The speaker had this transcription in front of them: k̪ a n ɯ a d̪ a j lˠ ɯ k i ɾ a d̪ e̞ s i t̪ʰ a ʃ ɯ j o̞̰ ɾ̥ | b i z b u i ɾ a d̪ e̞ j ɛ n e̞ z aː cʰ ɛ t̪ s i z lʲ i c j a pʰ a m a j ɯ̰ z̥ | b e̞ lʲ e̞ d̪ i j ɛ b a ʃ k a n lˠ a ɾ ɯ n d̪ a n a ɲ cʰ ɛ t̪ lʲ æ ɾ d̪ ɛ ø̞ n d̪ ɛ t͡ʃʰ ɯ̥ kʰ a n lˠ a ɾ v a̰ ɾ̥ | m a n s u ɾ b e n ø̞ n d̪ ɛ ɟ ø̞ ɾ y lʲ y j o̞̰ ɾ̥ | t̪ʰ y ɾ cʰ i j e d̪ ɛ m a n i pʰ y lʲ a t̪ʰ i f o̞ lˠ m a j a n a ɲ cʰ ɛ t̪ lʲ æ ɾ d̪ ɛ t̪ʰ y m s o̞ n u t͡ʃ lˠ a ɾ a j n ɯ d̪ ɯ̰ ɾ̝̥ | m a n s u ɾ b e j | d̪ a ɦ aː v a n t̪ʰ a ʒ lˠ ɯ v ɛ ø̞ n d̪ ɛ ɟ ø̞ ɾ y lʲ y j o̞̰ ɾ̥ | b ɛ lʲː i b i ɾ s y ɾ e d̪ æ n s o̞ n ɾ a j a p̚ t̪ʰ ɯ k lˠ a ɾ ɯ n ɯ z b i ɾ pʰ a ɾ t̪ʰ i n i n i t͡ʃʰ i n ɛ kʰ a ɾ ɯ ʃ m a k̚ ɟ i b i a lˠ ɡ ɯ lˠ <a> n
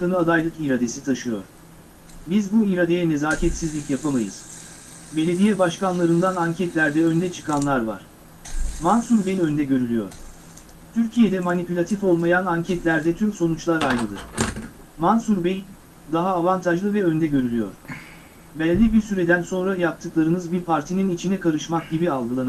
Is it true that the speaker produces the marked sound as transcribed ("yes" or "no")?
yes